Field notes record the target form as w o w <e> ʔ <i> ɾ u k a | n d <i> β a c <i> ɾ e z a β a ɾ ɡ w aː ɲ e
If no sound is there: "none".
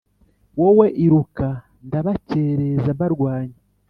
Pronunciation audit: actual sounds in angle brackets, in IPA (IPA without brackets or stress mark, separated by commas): e, i, a, e